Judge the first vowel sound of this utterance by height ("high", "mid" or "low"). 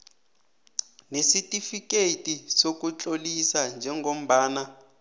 mid